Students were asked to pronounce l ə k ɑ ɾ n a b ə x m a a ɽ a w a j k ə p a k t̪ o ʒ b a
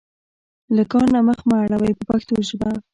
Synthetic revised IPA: l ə k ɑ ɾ n a m ə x m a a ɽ a w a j p ə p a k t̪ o ʒ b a